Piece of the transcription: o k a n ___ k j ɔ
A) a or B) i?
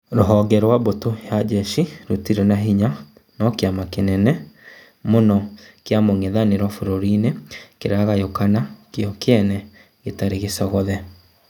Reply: A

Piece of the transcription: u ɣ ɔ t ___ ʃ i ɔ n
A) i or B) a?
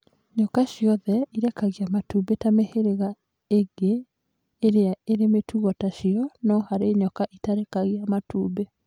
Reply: B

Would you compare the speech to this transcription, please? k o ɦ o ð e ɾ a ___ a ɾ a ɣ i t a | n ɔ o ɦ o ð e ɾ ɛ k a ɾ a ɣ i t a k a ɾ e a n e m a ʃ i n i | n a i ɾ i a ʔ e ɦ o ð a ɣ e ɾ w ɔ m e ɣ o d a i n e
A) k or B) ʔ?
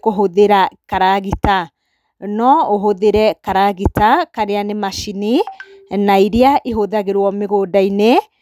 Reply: A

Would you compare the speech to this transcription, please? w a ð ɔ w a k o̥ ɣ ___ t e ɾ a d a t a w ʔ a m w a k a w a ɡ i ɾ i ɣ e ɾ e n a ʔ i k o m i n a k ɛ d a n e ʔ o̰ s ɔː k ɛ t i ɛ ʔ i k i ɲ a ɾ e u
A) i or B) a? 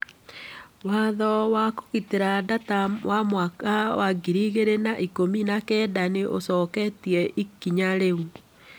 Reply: A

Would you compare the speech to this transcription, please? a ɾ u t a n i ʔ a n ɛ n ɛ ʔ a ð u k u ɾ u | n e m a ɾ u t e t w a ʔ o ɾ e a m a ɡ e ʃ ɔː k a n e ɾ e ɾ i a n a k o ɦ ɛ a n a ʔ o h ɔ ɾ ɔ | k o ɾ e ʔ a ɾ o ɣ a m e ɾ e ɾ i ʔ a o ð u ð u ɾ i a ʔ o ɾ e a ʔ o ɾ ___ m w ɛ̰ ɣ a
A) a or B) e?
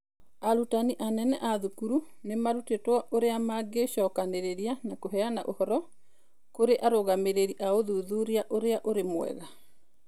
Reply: B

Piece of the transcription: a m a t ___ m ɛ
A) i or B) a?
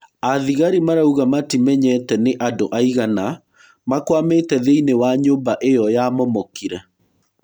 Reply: A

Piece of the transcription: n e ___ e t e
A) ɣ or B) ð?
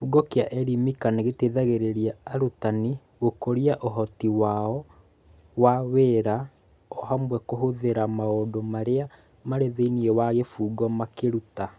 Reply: A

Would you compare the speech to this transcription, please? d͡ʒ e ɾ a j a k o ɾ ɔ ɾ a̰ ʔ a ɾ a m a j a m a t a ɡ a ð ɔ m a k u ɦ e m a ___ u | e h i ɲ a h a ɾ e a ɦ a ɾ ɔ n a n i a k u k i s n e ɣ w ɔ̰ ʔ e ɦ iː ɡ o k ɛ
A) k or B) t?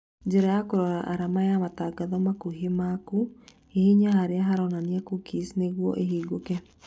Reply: A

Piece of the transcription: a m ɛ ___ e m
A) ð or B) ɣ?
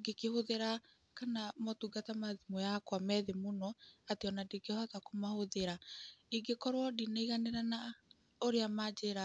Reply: A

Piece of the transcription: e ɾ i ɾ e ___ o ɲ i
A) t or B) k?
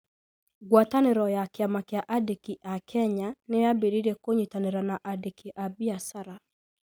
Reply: B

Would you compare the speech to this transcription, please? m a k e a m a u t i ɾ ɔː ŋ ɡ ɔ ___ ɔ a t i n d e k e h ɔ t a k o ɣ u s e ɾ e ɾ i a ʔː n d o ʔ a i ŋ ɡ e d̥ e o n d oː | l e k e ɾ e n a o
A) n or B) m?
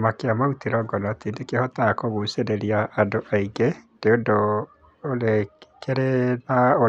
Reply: A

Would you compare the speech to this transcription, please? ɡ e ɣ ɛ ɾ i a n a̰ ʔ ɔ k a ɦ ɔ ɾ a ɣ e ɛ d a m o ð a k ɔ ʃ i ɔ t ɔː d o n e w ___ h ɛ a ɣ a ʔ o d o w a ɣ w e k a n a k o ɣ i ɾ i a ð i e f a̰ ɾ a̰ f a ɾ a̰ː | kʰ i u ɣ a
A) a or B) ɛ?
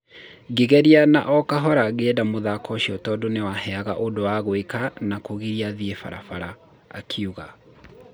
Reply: A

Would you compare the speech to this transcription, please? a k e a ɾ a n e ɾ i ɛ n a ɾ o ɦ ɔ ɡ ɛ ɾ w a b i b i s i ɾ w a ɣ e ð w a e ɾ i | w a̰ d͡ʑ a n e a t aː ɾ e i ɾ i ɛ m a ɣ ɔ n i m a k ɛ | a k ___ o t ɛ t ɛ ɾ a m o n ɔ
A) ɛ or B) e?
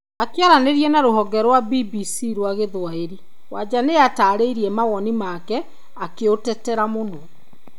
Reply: B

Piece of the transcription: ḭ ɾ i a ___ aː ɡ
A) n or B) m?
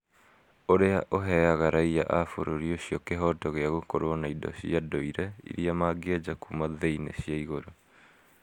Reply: B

